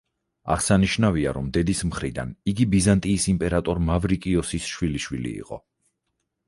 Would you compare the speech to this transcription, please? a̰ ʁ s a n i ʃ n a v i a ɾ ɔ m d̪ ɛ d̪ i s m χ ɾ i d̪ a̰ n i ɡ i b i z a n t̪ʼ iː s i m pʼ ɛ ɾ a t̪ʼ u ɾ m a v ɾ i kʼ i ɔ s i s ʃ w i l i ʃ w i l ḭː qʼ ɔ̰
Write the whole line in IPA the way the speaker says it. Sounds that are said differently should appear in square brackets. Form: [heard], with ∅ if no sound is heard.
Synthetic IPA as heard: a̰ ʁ s a n i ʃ n a v i a ɾ ɔ m d̪ ɛ d̪ i s m χ ɾ i d̪ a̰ n i ɡ i b i z a n t̪ʼ iː s i m pʼ ɛ ɾ a t̪ʼ [ɔ] ɾ m a v ɾ i kʼ i ɔ s i s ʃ w i l i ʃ w i l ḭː qʼ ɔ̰